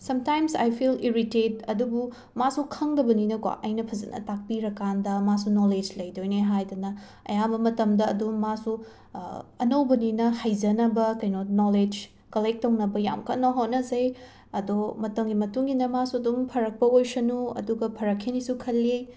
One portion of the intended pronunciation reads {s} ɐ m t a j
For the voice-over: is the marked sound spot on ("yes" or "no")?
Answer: yes